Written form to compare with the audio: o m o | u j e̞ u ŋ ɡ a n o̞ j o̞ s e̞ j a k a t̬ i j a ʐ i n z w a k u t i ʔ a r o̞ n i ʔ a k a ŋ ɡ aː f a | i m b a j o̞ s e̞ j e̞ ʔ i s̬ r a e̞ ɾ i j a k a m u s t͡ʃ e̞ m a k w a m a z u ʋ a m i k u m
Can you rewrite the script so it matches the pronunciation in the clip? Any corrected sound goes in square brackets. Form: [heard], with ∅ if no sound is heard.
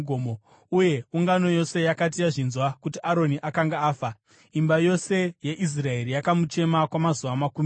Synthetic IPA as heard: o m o | u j e̞ u ŋ ɡ a n o̞ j o̞ s e̞ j a k a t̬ i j a ʐ i n z w a k u t i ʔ a [ɾ] o̞ n i ʔ a k a ŋ ɡ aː f a | i m b a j o̞ s e̞ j e̞ ʔ i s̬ r a e̞ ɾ i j a k a m u [∅] t͡ʃ e̞ m a k w a m a z u ʋ a m [a] k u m